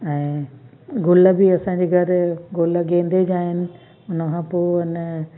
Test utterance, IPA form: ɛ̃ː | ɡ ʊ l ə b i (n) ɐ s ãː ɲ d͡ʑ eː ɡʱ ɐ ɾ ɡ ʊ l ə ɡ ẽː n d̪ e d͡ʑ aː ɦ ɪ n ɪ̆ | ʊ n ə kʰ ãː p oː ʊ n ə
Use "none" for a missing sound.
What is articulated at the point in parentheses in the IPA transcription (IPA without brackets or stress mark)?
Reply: none